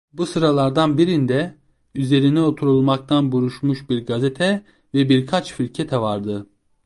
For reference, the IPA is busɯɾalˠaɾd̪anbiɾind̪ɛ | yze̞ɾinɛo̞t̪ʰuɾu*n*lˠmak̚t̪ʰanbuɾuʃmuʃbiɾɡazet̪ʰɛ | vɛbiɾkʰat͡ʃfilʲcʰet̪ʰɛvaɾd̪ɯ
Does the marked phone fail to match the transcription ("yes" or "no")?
yes